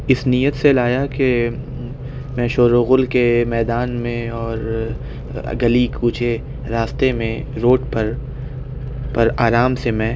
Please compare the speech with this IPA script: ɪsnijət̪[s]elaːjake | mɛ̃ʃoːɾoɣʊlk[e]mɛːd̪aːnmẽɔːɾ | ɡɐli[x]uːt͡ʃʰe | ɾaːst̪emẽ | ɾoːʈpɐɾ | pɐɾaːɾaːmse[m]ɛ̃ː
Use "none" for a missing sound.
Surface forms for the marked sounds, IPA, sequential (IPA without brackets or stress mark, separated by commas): s, e, k, m